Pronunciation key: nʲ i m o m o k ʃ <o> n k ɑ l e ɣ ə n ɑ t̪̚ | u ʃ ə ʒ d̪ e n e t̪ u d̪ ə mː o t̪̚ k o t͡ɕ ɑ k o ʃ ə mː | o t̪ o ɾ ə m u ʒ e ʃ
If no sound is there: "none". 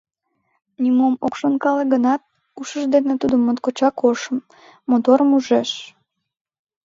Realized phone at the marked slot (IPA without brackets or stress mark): o